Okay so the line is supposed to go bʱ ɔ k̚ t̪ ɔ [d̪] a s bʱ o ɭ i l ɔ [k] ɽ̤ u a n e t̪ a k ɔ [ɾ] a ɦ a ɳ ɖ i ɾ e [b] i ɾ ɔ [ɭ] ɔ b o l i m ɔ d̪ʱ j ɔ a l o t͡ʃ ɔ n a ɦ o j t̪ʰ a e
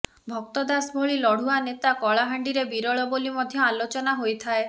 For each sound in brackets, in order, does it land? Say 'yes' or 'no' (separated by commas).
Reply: yes, no, no, yes, yes